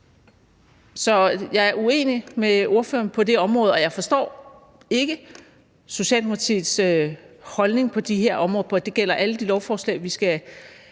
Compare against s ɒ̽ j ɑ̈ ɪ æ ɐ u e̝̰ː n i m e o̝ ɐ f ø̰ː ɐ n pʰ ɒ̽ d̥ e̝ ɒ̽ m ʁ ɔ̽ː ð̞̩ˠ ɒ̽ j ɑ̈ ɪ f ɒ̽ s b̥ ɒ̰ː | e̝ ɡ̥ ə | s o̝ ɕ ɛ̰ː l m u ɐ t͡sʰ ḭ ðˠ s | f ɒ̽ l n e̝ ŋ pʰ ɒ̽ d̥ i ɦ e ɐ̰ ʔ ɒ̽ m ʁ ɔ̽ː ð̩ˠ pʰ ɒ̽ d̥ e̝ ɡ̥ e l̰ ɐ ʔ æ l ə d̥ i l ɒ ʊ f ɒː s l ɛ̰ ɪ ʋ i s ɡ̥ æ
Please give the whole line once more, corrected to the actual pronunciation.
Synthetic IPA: s ɒ̽ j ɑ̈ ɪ æ ɐ u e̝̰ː n i m e o̝ ɐ f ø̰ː ɐ n pʰ ɒ̽ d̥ e̝ ɒ̽ m ʁ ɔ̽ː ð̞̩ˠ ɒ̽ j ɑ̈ ɪ f ɒ̽ s d̥ ɒ̰ː | e̝ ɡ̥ ə | s o̝ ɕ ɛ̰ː l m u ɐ t͡sʰ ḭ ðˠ s | h ɒ̽ l n e̝ ŋ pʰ ɒ̽ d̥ i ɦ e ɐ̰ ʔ ɒ̽ m ʁ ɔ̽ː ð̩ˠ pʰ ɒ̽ d̥ e̝ ɡ̥ e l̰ ɐ ʔ æ l ə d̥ i l ɒ ʊ f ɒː s l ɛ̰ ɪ ʋ i s ɡ̥ æ

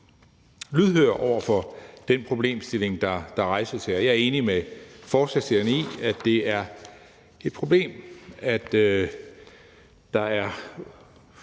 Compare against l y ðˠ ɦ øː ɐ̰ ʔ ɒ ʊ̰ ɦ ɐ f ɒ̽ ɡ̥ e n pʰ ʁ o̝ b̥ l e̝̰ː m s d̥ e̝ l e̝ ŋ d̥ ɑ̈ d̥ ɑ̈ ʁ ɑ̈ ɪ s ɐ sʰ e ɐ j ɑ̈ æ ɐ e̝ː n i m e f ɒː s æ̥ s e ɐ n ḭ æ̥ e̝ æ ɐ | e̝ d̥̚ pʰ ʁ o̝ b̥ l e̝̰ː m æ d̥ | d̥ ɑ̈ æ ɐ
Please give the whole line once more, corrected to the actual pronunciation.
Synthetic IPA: l y ðˠ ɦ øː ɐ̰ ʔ ɒ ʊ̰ ɐ f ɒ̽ d̥ e n pʰ ʁ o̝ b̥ l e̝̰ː m s d̥ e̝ l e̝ ŋ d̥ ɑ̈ d̥ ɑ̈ ʁ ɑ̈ ɪ s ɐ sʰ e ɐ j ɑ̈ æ ɐ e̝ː n i m e f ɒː s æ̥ s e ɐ n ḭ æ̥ e̝ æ ɐ | e̝ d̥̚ pʰ ʁ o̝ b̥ l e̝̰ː m æ d̥ | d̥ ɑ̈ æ ɐ

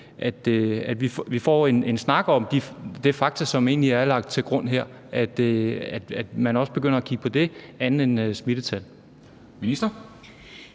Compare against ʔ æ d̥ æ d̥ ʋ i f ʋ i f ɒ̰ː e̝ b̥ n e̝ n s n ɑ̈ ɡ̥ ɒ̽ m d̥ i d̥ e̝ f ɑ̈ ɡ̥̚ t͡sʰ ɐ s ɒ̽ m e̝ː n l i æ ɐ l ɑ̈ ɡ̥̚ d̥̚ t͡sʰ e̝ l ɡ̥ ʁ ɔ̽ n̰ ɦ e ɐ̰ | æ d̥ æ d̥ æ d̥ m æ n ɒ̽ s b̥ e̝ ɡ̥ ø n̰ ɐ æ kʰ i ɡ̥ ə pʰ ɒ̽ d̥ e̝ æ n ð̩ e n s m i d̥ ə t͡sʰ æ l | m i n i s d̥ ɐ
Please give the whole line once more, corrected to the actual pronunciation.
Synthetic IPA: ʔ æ d̥ æ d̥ ʋ i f ʋ i f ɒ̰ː e̝ n e̝ n s n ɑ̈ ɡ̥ ɒ̽ m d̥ i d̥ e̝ f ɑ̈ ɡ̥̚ t͡sʰ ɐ s ɒ̽ m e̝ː n l i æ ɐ l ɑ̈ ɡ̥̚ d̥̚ t͡sʰ e̝ l ɡ̥ ʁ ɔ̽ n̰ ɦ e ɐ̰ | æ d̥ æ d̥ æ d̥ m æ n ɒ̽ s b̥ e̝ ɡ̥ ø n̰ ɐ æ kʰ i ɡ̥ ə pʰ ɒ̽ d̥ e̝ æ n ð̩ e n s m i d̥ ə t͡sʰ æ l | m i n i s d̥ ɐ

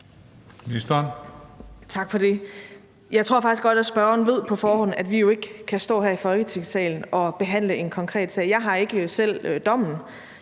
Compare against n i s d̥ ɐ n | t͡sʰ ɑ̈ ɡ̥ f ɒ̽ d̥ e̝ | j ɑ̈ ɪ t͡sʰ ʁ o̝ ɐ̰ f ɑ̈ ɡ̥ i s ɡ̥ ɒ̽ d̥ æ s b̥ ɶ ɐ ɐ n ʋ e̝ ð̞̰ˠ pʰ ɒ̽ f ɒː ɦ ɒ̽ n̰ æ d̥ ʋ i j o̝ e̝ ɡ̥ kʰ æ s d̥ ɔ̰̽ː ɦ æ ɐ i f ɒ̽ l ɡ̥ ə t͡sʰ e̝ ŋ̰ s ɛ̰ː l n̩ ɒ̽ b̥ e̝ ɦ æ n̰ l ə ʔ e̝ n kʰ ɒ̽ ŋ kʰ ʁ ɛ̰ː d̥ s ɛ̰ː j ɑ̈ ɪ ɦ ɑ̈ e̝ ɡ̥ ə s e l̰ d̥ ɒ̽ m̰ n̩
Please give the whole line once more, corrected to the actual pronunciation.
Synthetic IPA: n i s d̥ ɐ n | t͡sʰ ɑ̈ ɡ̥ f ɒ̽ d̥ e̝ | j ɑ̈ ɪ t͡sʰ ʁ o̝ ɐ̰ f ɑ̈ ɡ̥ i s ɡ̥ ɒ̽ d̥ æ s b̥ ɶ ɐ ɐ n ʋ e̝ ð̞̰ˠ pʰ ɒ̽ f ɒː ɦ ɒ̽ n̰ æ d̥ ʋ i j o̝ e̝ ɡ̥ kʰ æ s d̥ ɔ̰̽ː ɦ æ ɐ i f ɒ̽ l ɡ̥ ə t͡sʰ e̝ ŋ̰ s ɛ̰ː l n̩ ɒ̽ b̥ e̝ ɦ æ n̰ l ə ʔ e̝ n kʰ ɒ̽ ŋ kʰ ʁ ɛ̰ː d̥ s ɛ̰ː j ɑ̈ ɪ ɦ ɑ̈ e̝ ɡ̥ ə s e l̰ d̥ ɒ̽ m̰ n̩

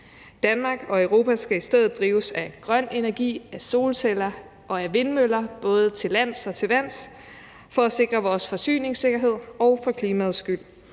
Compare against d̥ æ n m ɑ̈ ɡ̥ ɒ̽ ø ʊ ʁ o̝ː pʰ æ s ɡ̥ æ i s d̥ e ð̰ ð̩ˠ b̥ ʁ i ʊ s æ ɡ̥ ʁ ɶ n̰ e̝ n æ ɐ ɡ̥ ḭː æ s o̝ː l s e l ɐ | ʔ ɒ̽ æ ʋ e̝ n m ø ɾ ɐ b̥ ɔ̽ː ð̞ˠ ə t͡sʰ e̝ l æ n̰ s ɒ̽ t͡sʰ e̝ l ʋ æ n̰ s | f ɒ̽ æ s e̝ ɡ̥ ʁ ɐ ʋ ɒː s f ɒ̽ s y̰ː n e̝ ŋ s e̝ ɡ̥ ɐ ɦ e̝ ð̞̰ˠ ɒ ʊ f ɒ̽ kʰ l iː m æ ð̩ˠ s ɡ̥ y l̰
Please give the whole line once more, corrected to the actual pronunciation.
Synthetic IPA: d̥ æ n m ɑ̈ ɡ̥ ɒ̽ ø ʊ ʁ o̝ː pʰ æ s ɡ̥ æ i s d̥ e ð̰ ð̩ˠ d̥ ʁ iː ʊ s æ ɡ̥ ʁ ɶ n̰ e̝ n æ ɐ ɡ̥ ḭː æ s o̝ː l s e l ɐ | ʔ ɒ̽ æ ʋ e̝ n m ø l ɐ b̥ ɔ̽ː ð̞ˠ ə t͡sʰ e̝ l æ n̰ s ɒ̽ t͡sʰ e̝ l ʋ æ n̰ s | f ɒ̽ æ s e̝ ɡ̥ ʁ ɐ ʋ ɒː s f ɒ̽ s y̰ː n e̝ ŋ s e̝ ɡ̥ ɐ ɦ e̝ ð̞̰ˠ ɒ ʊ f ɒ̽ kʰ l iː m æ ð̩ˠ s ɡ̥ y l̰

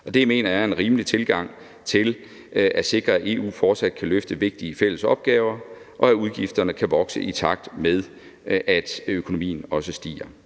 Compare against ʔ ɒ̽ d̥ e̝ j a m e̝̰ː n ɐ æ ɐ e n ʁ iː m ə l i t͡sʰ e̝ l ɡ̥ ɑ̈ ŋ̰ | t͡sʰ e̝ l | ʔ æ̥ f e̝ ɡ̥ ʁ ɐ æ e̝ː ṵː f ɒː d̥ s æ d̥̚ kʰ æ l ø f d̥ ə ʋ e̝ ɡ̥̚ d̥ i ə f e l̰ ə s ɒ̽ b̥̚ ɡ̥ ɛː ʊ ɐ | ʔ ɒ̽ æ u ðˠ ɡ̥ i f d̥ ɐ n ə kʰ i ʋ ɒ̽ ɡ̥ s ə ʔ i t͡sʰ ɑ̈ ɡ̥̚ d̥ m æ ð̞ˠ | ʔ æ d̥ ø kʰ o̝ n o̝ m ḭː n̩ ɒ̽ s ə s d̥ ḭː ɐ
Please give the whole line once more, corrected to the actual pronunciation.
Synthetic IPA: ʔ ɒ̽ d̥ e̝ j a m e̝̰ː n ɐ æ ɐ e n ʁ iː m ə l i t͡sʰ e̝ l ɡ̥ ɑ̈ ŋ̰ | t͡sʰ e̝ l | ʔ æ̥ s e̝ ɡ̥ ʁ ɐ æ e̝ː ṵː f ɒː d̥ s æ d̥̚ kʰ æ l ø f d̥ ə ʋ e̝ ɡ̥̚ d̥ i ə f e l̰ ə s ɒ̽ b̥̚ ɡ̥ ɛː ʊ ɐ | ʔ ɒ̽ æ u ðˠ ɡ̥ i f d̥ ɐ n ə kʰ æ ʋ ɒ̽ ɡ̥ s ə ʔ i t͡sʰ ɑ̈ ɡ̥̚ d̥ m e ð̞ˠ | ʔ æ d̥ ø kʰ o̝ n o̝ m ḭː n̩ ɒ̽ s ə s d̥ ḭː ɐ

